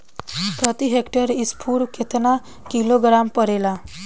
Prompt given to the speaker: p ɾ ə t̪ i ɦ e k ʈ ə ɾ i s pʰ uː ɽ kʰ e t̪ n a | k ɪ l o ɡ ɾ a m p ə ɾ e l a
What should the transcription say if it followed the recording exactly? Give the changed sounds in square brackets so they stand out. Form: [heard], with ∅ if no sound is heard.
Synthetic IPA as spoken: p ɾ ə t̪ i ɦ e k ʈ ə ɾ i s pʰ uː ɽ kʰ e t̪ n a | k [i] l o ɡ ɾ a m p ə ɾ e l a